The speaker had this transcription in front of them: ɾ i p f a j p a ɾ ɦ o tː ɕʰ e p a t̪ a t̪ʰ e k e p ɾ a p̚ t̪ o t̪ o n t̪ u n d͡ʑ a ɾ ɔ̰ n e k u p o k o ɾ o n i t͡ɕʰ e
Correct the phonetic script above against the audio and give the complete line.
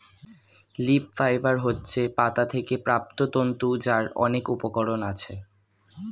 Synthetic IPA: l i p f a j b a ɾ ɦ o tː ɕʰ e p a t̪ a t̪ʰ e k e p ɾ a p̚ t̪ o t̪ o n t̪ u d͡ʑ a ɾ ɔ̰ n e k u p o k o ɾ o n a t͡ɕʰ e